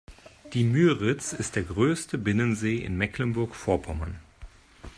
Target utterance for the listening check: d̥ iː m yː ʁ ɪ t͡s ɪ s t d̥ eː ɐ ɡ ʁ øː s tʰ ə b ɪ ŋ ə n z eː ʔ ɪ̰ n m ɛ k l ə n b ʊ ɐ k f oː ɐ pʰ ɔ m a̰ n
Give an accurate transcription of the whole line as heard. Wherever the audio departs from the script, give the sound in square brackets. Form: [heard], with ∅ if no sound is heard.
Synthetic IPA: d̥ iː m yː ʁ ɪ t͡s ɪ s t d̥ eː ɐ ɡ ʁ øː s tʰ ə b ɪ [n] ə n z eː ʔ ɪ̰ n m ɛ k l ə n b ʊ ɐ k f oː ɐ pʰ ɔ m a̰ n